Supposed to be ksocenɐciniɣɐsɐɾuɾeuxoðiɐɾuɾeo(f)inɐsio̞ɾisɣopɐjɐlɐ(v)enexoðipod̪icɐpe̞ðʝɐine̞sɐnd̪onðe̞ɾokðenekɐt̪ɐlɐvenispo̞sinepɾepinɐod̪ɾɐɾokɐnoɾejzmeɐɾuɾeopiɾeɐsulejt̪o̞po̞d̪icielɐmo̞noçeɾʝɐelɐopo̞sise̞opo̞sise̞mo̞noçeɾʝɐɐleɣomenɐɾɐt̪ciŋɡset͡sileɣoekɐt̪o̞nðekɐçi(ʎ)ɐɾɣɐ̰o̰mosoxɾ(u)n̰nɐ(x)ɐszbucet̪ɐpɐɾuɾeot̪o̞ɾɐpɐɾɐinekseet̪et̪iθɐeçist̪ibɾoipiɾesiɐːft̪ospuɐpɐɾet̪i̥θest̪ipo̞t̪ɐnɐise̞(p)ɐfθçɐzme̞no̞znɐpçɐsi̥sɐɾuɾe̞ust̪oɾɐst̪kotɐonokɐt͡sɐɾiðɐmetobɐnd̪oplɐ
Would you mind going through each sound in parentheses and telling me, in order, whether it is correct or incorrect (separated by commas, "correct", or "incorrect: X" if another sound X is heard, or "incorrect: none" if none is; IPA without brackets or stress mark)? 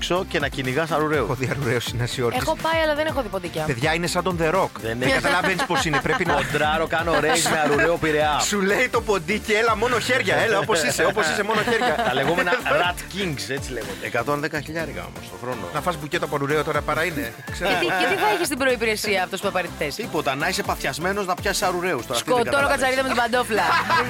incorrect: s, incorrect: ð, correct, incorrect: o, incorrect: f, correct